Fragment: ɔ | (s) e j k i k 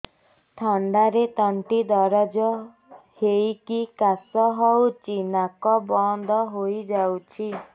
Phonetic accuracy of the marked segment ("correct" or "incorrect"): incorrect